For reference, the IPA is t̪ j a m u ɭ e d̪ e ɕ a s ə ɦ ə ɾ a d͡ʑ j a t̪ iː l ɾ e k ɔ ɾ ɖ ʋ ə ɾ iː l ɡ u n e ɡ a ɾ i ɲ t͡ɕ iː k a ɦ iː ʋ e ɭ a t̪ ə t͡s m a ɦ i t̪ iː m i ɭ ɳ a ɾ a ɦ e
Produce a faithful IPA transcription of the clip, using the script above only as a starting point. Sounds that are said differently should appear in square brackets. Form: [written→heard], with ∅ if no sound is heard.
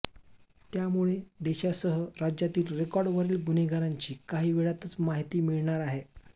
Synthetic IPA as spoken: t̪ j a m u ɭ e d̪ e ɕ a s ə ɦ ə ɾ a d͡ʑ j a t̪ iː l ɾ e k ɔ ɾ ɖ ʋ ə ɾ iː l ɡ u n e ɡ a ɾ [i→a] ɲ t͡ɕ iː k a ɦ iː ʋ e ɭ a t̪ ə t͡s m a ɦ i t̪ iː m i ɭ ɳ a ɾ a ɦ e